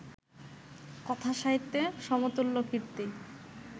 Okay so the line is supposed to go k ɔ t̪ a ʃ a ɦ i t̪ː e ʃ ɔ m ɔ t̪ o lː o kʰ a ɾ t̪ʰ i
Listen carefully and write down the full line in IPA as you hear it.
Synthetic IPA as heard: k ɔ t̪ʰ a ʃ a ɦ i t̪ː e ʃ ɔ m o t̪ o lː o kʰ i ɾ t̪ i